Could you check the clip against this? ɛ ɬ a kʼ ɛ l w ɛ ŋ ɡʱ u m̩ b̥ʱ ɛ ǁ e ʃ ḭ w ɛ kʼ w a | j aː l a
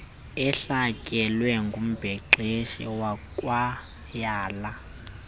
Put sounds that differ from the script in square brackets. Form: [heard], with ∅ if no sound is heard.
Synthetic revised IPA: ɛ ɬ a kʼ ɛ l w ɛ ŋ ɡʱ u m̩ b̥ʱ ɛ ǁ e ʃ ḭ w [a] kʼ w a | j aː l a